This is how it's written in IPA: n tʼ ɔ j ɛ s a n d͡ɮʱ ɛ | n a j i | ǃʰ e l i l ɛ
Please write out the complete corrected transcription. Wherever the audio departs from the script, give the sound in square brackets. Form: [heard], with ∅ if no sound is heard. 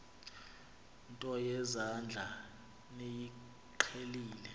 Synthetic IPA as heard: n tʼ ɔ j ɛ [z] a n d͡ɮʱ [a] | n [e] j i | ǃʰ e l [iː] l ɛ

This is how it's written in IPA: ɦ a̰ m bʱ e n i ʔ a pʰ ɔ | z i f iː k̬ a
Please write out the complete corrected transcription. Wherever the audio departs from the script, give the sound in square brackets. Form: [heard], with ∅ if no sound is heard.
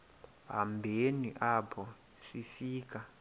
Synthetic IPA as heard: ɦ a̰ m bʱ e n i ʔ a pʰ ɔ | [s] i f iː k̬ a

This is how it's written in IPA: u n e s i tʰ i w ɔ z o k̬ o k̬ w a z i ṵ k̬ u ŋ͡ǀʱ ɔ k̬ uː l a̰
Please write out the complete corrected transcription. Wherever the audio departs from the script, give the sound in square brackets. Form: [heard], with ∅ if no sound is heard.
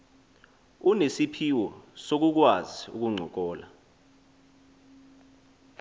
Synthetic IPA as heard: u n e s i [pʰ] i w ɔ [s] o k̬ [u] k̬ w a z i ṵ k̬ u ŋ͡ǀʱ ɔ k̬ [ɔː] l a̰

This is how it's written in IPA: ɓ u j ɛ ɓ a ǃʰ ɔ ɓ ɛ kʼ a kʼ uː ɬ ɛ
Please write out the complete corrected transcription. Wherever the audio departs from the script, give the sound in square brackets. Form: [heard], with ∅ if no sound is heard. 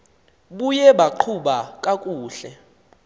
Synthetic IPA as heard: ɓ u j ɛ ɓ a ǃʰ [u] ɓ [a] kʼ a kʼ uː ɬ ɛ

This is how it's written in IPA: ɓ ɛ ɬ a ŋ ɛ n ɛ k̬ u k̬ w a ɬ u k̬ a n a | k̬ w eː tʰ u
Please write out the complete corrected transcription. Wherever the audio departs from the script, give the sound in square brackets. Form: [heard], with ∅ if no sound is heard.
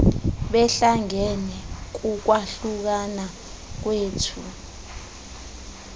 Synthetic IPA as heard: ɓ ɛ ɬ a ŋ ɛ n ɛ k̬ u k̬ w a ɬ u k̬ a n a | k̬ w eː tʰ u

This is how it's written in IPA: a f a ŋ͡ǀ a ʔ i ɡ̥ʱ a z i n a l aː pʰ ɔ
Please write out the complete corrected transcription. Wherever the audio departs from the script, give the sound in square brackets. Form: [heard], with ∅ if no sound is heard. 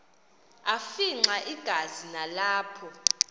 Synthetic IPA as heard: a f [i] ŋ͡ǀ a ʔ i ɡ̥ʱ a z i n a l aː pʰ ɔ

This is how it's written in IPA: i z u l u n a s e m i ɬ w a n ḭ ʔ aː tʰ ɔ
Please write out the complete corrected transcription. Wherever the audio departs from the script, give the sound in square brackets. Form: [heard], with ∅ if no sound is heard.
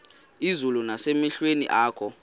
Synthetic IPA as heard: i z u l u n a s e m i ɬ w [e] n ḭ ʔ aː [kʰ] ɔ

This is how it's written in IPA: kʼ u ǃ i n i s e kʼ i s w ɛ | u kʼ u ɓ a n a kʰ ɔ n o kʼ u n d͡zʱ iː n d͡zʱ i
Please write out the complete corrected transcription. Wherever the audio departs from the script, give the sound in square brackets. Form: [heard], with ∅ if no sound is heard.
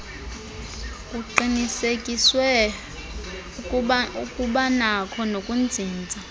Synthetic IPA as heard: kʼ u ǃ i n i s e kʼ i s w ɛ | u kʼ u ɓ a n a kʰ ɔ n o kʼ u n d͡zʱ iː n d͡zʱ [a]

